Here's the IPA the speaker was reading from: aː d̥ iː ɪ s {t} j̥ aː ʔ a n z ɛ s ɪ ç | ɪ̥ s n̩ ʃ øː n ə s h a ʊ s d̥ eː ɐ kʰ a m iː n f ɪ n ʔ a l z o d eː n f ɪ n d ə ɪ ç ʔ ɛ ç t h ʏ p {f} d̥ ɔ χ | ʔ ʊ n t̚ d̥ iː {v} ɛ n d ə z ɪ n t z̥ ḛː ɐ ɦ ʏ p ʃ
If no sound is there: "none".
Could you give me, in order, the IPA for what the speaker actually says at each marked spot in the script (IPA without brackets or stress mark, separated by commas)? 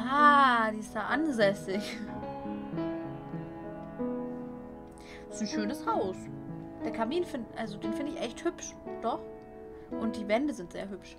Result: t, ʃ, v